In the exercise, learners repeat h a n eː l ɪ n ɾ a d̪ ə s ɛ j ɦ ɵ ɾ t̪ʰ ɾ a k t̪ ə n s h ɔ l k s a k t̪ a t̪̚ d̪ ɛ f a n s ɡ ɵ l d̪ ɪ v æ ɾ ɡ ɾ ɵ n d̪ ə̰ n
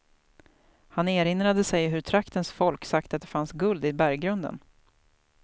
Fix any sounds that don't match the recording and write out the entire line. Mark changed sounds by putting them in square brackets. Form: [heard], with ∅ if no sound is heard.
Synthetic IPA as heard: h a n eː [ɾ] ɪ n ɾ a d̪ ə s ɛ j ɦ ɵ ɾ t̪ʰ ɾ a k t̪ ə n s [f] ɔ l k s a k t̪ a t̪̚ d̪ ɛ f a n s ɡ ɵ l d̪ ɪ [b] æ ɾ ɡ ɾ ɵ n d̪ ə̰ n